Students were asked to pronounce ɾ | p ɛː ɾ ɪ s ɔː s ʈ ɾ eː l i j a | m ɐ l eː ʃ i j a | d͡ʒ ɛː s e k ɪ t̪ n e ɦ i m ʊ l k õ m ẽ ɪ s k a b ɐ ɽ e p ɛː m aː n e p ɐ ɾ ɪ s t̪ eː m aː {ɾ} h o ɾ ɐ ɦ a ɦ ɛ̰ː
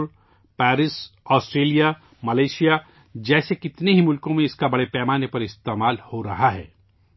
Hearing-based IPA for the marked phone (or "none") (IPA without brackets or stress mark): l